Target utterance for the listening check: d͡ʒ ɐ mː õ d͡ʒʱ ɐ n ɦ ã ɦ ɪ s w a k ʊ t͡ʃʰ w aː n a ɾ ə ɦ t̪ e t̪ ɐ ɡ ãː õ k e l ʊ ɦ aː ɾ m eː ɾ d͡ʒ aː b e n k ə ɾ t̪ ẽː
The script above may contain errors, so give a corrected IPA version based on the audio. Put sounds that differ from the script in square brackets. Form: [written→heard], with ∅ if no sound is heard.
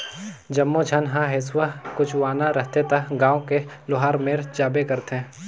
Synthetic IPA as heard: d͡ʒ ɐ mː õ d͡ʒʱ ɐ n ɦ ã ɦ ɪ s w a k ʊ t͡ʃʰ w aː n a ɾ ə ɦ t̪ e t̪ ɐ ɡ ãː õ k e l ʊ ɦ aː ɾ m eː ɾ d͡ʒ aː b e [n→∅] k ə ɾ t̪ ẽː